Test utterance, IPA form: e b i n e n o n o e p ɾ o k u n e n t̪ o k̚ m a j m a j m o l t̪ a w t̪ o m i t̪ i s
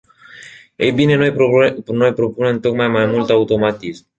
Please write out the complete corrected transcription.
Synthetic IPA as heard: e b i n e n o n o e p ɾ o p u n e n t̪ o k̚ m a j m a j m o l t̪ a w t̪ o m a t̪ i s